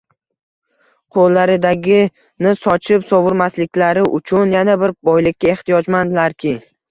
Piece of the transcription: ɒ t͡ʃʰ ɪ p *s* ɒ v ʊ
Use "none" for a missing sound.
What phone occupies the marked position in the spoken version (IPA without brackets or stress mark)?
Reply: s